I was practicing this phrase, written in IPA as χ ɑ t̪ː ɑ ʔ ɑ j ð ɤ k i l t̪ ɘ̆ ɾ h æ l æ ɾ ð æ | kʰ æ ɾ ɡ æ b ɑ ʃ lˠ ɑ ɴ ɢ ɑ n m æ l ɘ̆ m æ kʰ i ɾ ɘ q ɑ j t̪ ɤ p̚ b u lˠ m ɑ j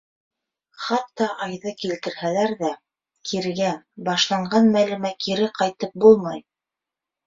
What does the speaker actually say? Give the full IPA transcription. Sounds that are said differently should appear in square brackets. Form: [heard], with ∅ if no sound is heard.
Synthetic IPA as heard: χ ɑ t̪ː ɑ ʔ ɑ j ð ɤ k i l t̪ ɘ̆ ɾ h æ l æ ɾ ð æ | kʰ [i] ɾ ɡ æ b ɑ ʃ lˠ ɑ ɴ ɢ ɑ n m æ l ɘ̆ m æ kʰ i ɾ ɘ q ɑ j t̪ ɤ p̚ b u lˠ m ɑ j